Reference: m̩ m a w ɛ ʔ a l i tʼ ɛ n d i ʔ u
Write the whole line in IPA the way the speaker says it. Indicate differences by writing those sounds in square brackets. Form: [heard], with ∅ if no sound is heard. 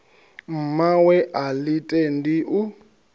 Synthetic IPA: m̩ m a w ɛ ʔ a l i tʼ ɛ n d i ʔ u